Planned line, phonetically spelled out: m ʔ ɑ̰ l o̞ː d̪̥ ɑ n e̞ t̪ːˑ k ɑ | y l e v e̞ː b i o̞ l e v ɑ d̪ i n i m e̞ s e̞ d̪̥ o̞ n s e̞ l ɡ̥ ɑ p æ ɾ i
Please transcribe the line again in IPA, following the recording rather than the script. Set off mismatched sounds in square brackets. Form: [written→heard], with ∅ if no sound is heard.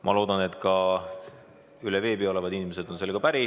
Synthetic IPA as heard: m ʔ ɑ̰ l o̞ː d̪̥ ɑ n e̞ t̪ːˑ k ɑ | y l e v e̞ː b i o̞ l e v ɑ d̪ i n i m e̞ s e̞ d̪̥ o̞ n s e̞ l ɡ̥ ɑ p æ ɾ i